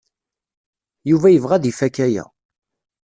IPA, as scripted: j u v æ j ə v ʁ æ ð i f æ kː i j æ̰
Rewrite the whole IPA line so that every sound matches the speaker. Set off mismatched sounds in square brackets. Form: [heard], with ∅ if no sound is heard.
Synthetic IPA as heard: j u v æ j ə v ʁ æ ð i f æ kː [æ] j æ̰